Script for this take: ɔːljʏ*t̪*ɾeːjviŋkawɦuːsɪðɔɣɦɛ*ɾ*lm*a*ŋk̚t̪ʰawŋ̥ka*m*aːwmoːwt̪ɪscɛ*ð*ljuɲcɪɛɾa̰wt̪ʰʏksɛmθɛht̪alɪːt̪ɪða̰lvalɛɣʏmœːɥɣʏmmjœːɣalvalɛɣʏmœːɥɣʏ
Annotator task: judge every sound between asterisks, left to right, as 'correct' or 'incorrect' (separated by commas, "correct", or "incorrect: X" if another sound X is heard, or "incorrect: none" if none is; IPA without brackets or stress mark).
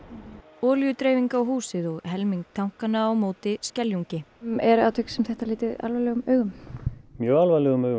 correct, incorrect: none, incorrect: i, incorrect: n, incorrect: none